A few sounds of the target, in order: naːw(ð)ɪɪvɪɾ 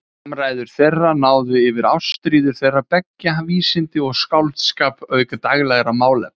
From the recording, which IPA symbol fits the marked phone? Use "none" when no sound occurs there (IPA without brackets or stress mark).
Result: ð